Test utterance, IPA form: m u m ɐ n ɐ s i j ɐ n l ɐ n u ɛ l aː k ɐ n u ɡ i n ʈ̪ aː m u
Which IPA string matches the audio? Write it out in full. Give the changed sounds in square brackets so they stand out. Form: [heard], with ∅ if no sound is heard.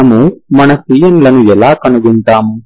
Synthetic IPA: m u m ɐ n ɐ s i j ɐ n l ɐ n u ɛ l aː k ɐ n u ɡ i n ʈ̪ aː m u